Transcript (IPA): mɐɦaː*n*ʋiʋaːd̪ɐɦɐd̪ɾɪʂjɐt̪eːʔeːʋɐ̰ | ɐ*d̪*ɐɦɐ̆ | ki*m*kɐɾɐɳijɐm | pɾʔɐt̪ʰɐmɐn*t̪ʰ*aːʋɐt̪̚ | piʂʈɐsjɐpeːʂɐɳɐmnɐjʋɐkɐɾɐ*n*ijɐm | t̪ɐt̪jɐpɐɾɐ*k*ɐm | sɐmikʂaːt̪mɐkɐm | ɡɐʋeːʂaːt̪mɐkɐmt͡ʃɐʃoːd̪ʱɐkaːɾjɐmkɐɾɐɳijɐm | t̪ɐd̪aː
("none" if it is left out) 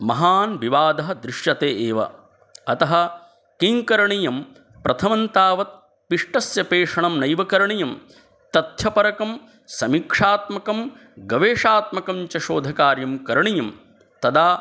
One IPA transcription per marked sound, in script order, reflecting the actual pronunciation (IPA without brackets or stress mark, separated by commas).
n, t̪, ŋ, t̪, ɳ, k